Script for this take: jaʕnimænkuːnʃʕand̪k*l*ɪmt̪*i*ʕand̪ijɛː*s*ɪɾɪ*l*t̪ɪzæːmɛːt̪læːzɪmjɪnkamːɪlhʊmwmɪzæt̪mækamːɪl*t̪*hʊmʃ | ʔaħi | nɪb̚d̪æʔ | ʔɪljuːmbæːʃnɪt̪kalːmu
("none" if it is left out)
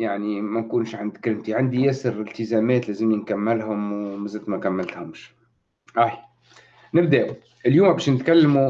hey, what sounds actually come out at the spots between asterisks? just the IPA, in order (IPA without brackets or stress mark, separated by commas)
ɾ, i, s, l, t̪